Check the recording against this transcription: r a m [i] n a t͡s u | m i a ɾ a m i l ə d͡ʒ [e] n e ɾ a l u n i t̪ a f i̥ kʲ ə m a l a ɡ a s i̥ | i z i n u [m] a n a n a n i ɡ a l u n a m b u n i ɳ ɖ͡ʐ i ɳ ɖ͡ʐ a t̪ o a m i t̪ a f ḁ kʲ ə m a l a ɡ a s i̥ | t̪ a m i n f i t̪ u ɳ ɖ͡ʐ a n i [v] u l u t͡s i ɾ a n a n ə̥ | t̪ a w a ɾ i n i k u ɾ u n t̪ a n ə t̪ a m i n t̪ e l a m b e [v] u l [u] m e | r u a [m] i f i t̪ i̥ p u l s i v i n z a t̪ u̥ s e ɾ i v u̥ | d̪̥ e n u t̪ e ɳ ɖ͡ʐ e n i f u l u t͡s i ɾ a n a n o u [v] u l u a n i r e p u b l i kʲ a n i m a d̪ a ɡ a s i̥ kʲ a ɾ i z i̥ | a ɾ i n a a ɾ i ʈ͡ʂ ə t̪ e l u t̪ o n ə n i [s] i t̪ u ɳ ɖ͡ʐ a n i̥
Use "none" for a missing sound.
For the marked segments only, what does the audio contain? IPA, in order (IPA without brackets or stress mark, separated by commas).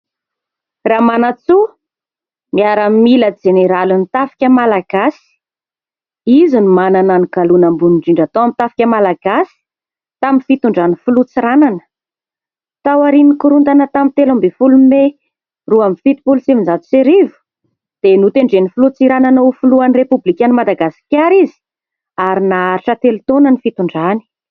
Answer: a, e, m, f, f, u, m, f, f